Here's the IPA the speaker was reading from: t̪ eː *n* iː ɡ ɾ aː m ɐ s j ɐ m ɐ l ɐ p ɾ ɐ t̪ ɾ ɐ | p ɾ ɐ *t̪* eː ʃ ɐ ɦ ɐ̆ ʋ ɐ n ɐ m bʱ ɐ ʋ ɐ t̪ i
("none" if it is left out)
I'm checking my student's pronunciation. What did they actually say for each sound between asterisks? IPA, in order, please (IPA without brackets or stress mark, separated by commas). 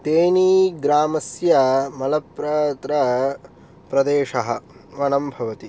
n, d̪